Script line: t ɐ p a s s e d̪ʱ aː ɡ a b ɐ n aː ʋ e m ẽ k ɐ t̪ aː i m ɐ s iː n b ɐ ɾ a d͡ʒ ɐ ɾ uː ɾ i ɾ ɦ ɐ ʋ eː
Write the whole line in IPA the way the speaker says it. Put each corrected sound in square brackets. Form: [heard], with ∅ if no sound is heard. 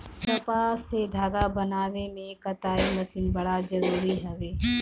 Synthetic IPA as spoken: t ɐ p a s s e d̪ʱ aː ɡ a b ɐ n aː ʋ e m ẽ k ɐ t̪ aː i m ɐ s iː n b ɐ [ɽ] a d͡ʒ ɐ ɾ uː ɾ i [∅] ɦ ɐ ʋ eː